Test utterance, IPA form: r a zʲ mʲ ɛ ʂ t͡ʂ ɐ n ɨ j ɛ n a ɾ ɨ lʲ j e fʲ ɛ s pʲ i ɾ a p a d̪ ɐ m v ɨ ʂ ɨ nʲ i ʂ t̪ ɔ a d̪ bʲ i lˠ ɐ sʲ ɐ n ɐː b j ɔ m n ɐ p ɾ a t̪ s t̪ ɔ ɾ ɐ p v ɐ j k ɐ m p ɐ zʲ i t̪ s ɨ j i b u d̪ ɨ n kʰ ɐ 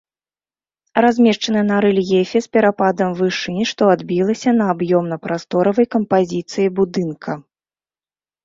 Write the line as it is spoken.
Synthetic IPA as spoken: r a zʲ mʲ ɛ ʂ t͡ʂ ɐ n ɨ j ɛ n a ɾ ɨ lʲ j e fʲ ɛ s pʲ ɛ ɾ a p a d̪ ɐ m v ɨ ʂ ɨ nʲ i ʂ t̪ ɔ a d̪ bʲ i lˠ ɐ sʲ ɐ n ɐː b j ɔ m n ɐ p ɾ a s t̪ ɔ ɾ ɐ v ɐ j k ɐ m p a zʲ i t̪ s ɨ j i b u d̪ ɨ n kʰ ɐ